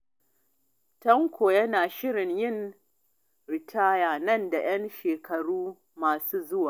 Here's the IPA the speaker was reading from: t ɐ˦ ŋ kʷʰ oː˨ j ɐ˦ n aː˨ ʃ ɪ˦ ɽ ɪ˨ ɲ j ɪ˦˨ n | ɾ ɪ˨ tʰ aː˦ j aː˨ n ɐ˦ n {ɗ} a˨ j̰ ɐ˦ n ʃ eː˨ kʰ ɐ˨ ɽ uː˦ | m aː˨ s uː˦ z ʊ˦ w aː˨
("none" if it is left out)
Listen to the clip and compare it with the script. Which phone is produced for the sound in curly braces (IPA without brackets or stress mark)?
d